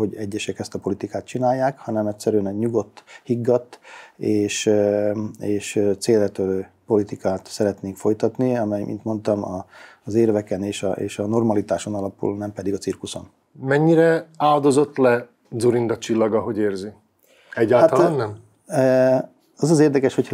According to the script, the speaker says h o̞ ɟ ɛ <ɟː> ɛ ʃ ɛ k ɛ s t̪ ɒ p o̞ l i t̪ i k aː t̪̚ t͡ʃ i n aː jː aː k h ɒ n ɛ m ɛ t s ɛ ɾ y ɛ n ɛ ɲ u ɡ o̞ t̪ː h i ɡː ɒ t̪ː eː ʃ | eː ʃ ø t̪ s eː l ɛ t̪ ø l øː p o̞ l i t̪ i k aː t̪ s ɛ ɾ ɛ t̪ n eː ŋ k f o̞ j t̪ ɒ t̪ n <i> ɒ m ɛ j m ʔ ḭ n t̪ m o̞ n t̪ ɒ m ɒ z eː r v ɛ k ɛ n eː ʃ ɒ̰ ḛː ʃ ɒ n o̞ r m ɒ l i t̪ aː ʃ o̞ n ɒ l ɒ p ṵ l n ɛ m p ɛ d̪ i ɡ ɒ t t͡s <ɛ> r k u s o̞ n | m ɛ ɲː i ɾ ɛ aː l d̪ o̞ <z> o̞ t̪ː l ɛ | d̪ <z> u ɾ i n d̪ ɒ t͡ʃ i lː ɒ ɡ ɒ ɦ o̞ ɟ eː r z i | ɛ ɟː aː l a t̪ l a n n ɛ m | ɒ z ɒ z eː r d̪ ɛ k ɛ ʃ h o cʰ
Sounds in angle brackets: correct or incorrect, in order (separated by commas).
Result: correct, correct, incorrect, correct, correct